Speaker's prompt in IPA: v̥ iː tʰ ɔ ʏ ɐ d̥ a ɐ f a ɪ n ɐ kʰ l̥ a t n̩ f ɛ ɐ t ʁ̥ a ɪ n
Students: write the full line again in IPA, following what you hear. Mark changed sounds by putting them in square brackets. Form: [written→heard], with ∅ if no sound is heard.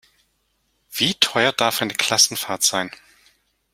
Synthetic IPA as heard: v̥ iː tʰ ɔ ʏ ɐ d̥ a ɐ f a ɪ n [ɐ→ə] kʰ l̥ a [t→s] n̩ f [ɛ→a] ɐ t [ʁ̥→z̥] a ɪ n